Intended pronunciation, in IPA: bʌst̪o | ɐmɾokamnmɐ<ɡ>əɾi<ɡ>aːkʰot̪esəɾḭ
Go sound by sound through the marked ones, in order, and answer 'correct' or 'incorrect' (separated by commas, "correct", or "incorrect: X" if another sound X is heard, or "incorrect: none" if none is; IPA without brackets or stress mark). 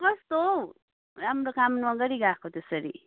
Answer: correct, correct